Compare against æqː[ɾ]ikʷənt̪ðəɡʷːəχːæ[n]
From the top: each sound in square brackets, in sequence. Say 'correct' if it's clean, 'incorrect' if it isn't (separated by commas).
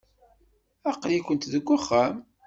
incorrect, incorrect